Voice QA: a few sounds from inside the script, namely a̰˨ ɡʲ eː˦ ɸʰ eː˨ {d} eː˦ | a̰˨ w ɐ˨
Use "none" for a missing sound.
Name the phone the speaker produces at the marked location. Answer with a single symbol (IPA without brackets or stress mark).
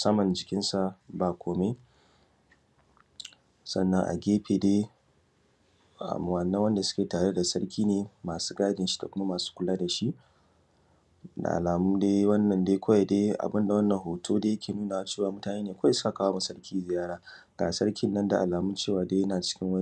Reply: d